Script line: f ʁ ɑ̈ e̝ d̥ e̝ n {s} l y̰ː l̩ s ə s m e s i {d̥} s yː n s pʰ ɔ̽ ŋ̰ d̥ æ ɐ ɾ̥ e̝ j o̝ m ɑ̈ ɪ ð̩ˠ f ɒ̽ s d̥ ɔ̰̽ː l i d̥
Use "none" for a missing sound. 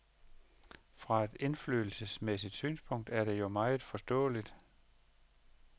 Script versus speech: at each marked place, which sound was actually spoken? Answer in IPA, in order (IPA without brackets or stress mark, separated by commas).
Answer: f, d̥